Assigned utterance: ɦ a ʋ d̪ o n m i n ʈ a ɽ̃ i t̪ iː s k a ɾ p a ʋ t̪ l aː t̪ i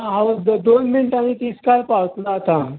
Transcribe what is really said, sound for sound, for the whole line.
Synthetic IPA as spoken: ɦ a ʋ d̪ o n m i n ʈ a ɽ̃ i t̪ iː s k a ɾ p a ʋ t̪ l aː t̪ a